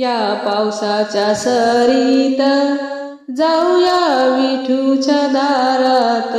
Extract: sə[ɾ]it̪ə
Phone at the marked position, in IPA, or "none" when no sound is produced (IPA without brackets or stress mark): ɾ